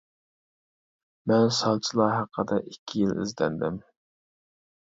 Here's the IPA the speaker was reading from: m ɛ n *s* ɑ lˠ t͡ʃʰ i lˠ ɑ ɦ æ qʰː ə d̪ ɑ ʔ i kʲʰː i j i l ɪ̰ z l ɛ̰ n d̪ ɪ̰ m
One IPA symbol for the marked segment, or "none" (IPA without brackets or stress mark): s